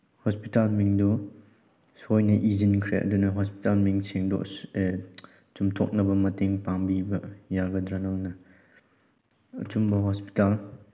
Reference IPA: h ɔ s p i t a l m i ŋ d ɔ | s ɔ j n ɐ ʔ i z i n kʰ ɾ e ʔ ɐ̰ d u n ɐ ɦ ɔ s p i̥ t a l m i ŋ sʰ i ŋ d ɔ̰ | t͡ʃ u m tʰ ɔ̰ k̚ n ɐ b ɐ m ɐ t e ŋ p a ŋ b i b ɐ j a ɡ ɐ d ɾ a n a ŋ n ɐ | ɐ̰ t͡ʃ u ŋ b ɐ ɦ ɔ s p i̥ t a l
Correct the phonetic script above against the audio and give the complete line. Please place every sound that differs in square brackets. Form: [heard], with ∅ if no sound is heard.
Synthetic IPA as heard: h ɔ s p i t a l m i ŋ d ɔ | s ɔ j n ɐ ʔ i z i n kʰ ɾ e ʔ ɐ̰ d u n ɐ ɦ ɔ s p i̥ t a l m i ŋ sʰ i ŋ d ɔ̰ | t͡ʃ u m tʰ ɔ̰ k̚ n ɐ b ɐ m ɐ t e ŋ p a ŋ b i b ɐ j a ɡ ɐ d ɾ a n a ŋ n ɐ | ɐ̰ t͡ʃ u [m] b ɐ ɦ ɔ s p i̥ t a l